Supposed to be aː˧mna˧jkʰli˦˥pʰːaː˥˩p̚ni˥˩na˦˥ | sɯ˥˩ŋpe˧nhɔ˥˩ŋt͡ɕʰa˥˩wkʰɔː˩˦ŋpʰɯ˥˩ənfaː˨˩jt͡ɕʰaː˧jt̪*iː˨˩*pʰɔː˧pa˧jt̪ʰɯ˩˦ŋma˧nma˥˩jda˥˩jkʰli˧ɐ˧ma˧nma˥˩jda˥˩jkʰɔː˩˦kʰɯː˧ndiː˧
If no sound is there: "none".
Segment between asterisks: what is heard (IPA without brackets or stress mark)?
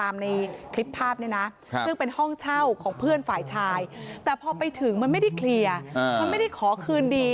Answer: ɛː˨˩